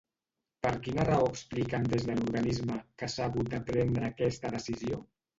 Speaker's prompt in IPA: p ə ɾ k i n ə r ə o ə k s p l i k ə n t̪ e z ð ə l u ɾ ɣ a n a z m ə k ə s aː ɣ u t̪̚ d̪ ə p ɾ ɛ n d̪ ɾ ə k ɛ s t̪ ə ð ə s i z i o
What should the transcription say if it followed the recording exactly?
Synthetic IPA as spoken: p ə ɾ k i n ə r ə o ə k s p l i k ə n d̪ e z ð ə l u ɾ ɣ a n i z m ə k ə s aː ɣ u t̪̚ d̪ ə p ɾ ɛ n d̪ ɾ əː k ɛ s t̪ ə ð ə s i z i o